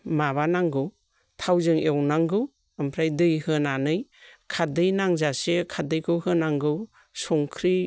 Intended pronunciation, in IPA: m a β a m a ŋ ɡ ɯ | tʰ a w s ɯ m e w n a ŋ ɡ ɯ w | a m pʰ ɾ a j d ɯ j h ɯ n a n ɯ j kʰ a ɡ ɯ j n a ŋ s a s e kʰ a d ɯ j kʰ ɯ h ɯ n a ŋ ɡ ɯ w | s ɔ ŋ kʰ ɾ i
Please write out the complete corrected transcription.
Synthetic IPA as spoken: m a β a n a ŋ ɡ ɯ | tʰ a w z ɯ ŋ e w n a ŋ ɡ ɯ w | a m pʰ ɾ a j d ɯ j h ɯ n a n ɯ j kʰ a d ɯ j n a ŋ z a s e kʰ a d ɯ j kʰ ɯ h ɯ n a ŋ ɡ ɯ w | s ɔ ŋ kʰ ɾ i